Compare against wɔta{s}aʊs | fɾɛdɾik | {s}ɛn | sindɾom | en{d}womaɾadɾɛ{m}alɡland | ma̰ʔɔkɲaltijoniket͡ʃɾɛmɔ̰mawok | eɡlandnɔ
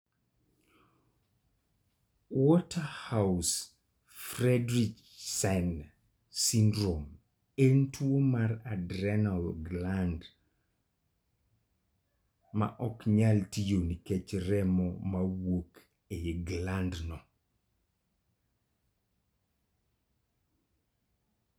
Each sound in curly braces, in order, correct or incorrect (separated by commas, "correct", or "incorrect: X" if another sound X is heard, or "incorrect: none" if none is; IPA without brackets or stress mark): incorrect: h, correct, incorrect: t, incorrect: n